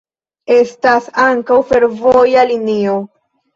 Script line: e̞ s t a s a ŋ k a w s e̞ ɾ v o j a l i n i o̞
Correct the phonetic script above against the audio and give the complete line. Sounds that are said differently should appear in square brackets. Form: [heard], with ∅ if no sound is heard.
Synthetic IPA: e̞ s t a s a ŋ k a w [f] e̞ ɾ v o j a l i n i o̞